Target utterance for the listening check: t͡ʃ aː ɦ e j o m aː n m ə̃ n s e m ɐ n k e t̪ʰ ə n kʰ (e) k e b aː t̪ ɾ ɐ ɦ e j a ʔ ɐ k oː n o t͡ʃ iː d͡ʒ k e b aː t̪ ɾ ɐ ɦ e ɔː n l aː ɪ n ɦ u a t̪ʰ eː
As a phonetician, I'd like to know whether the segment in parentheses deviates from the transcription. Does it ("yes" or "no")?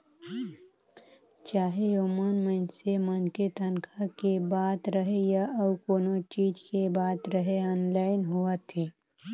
yes